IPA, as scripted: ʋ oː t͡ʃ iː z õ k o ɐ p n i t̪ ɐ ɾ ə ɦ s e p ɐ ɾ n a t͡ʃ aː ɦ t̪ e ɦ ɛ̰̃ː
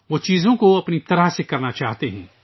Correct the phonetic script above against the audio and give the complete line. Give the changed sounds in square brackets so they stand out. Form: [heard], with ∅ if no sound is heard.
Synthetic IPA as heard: ʋ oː t͡ʃ iː z õ k o ɐ p n i t̪ ɐ ɾ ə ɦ s e [k] ɐ ɾ n a t͡ʃ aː ɦ t̪ e ɦ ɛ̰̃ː